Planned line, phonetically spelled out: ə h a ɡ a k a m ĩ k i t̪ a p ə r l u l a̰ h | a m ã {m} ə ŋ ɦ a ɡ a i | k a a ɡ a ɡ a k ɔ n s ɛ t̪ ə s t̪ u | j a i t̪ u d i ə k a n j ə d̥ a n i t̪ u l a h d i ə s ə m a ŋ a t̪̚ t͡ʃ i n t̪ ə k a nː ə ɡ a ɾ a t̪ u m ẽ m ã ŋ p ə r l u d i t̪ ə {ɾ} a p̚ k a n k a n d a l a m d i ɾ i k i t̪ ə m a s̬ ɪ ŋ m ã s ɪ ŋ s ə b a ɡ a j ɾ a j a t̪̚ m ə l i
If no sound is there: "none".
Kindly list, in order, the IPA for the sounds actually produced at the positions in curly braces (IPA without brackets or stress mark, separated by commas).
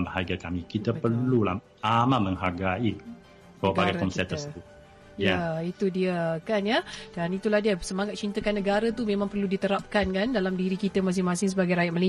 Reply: m, ɾ